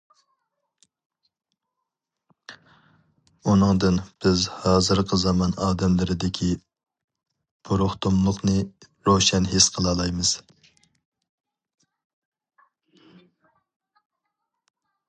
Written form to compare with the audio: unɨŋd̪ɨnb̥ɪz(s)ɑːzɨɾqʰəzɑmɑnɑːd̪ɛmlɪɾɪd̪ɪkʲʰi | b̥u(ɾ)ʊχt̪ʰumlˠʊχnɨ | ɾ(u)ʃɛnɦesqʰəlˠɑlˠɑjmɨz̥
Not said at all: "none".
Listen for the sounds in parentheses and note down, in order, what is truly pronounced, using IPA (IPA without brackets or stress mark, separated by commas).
h, ɾ, o